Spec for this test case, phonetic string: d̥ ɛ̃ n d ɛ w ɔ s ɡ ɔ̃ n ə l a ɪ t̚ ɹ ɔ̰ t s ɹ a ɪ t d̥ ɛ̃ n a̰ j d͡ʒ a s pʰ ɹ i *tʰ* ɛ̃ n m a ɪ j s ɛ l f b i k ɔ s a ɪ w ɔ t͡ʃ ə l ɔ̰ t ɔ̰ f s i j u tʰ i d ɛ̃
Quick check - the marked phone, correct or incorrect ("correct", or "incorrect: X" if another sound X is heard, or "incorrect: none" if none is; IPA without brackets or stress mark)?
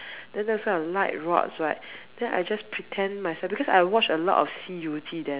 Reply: correct